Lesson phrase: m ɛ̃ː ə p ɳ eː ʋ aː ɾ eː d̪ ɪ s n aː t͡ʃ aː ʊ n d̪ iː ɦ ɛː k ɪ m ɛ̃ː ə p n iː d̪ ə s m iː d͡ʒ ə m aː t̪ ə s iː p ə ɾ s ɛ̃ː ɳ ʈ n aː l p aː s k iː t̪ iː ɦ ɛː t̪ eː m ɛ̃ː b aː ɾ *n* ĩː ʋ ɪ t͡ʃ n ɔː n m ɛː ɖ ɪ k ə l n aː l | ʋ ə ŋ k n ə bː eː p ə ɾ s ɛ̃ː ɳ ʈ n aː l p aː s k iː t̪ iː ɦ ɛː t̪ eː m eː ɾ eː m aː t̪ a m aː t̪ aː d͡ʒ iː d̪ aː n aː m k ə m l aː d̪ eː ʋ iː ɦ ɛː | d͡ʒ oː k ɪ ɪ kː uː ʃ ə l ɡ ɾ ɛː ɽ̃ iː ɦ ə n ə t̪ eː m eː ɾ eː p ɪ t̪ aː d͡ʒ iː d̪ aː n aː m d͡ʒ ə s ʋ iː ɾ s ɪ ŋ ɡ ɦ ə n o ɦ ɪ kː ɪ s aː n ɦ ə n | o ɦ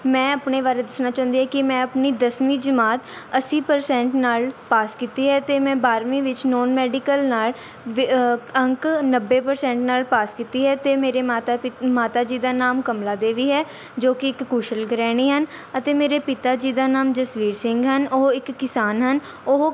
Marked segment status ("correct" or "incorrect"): incorrect